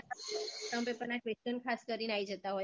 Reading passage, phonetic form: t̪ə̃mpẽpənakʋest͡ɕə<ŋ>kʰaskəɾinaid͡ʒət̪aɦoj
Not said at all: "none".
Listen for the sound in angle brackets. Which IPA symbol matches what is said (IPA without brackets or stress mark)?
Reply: n